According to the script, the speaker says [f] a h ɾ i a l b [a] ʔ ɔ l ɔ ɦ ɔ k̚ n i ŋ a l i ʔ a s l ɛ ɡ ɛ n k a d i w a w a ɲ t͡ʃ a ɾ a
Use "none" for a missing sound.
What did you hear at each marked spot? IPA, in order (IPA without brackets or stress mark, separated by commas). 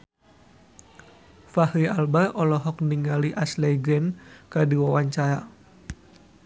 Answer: f, a